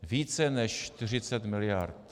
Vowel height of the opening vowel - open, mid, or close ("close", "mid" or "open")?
close